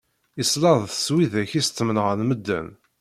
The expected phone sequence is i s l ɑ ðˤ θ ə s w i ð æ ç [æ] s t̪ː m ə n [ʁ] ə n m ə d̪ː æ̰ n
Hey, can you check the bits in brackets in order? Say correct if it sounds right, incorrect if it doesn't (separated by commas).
incorrect, correct